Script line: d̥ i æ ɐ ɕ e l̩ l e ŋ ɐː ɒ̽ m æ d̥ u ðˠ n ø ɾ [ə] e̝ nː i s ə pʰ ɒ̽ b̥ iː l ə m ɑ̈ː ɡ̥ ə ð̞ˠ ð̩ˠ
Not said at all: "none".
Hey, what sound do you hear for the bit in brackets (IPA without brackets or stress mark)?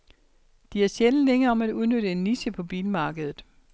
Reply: ə